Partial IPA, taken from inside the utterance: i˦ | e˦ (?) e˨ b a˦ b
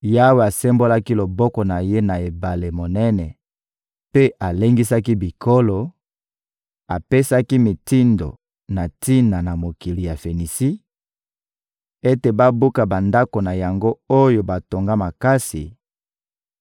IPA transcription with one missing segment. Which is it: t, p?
t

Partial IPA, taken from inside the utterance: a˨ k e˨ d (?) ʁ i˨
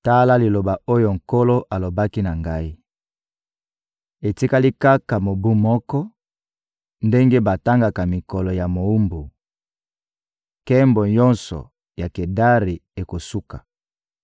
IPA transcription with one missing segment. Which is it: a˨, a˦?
a˦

